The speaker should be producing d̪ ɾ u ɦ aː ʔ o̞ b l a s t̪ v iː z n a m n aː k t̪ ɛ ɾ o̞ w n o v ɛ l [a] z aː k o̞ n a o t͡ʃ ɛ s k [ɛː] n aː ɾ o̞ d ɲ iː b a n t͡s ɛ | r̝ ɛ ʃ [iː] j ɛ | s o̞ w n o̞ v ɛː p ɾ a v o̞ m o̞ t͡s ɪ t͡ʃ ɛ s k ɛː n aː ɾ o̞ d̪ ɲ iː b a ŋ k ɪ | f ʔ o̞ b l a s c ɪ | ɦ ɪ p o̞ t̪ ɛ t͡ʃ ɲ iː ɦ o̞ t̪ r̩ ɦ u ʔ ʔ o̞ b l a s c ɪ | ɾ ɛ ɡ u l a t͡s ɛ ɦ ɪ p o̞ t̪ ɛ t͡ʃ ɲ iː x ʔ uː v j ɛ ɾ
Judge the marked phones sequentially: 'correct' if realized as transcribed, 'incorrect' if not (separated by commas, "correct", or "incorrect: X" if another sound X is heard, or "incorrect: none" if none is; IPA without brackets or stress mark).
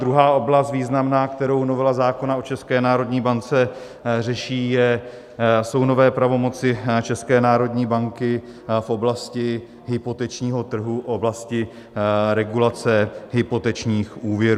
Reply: correct, correct, correct